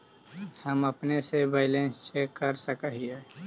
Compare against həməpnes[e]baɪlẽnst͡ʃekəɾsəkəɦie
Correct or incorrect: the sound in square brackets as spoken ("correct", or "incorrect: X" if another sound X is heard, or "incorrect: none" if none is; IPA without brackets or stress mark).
correct